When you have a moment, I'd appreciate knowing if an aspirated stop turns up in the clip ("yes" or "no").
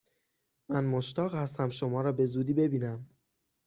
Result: no